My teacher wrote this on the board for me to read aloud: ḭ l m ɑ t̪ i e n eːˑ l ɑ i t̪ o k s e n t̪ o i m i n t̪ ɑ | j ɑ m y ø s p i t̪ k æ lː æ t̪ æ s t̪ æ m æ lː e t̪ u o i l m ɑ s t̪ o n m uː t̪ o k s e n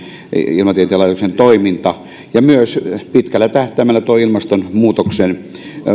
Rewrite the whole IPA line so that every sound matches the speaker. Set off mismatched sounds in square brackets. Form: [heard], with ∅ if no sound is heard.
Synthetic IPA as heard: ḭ l m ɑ t̪ i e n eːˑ l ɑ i t̪ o k s e n t̪ o i m i n t̪ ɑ | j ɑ m y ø s p i t̪ k æ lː æ t̪ æ [h] t̪ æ m æ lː [æ] t̪ u o i l m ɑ s t̪ o n m uː t̪ o k s e n